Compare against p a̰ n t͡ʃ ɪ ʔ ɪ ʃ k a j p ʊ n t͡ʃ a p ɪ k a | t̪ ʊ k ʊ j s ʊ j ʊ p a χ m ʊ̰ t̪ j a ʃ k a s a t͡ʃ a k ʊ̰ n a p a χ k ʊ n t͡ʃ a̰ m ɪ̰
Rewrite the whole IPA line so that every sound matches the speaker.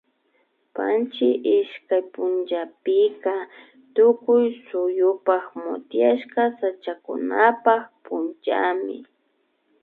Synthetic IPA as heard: p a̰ n t͡ʃ ɪ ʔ ɪ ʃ k a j p ʊ n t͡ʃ a p ɪ k a | t̪ ʊ k ʊ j s ʊ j ʊ p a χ m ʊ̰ t̪ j a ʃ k a s a t͡ʃ a k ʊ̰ n a p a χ p ʊ n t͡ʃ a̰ m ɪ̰